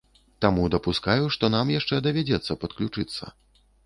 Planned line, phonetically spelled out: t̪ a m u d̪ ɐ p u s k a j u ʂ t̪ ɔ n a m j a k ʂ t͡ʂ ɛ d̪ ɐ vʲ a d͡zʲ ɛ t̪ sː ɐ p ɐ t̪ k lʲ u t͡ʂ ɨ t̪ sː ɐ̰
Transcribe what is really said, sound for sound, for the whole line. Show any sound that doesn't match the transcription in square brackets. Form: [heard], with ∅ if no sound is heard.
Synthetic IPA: t̪ a m u d̪ ɐ p u s k a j u ʂ t̪ ɔ n a m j a [∅] ʂ t͡ʂ ɛ d̪ ɐ vʲ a d͡zʲ ɛ t̪ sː ɐ p ɐ t̪ k lʲ u t͡ʂ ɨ t̪ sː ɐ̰